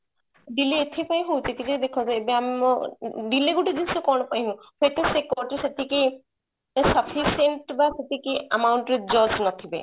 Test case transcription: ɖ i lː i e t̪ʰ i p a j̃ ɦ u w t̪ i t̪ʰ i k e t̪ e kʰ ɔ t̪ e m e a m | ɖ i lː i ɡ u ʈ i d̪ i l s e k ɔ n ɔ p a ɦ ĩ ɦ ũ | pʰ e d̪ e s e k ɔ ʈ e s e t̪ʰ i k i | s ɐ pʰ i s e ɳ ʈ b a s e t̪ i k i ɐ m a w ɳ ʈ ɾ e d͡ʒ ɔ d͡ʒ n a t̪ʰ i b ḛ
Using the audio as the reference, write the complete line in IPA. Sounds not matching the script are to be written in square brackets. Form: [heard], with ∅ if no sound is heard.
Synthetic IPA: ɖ i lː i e t̪ʰ i p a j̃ ɦ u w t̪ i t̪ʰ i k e [d̪] e kʰ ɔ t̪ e [b] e a m | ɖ i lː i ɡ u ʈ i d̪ i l s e k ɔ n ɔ p a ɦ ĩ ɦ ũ | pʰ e [t̪] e s e k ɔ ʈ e s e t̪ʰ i k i | s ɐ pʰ i s e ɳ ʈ b a s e t̪ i k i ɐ m a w ɳ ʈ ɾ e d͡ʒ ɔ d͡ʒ n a t̪ʰ i b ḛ